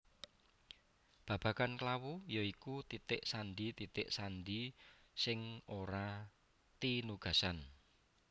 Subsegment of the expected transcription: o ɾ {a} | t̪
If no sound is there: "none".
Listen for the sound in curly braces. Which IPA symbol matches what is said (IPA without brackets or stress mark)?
a